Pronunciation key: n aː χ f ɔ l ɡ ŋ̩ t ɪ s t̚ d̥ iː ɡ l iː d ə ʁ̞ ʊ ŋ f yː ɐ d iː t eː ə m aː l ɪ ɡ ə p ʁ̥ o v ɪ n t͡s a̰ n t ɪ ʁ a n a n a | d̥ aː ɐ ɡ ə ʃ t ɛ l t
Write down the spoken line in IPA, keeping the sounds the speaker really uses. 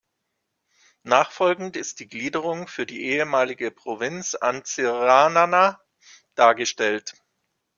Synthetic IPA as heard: n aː χ f ɔ l ɡ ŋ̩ t ɪ s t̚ d̥ iː ɡ l iː d ə ʁ̞ ʊ ŋ f yː ɐ d iː ʔ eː ə m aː l ɪ ɡ ə p ʁ̥ o v ɪ n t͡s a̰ n t͡s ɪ ʁ a n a n a | d̥ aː ɐ ɡ ə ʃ t ɛ l t